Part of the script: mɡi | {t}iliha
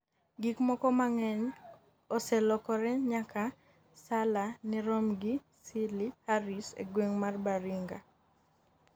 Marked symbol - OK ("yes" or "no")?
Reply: no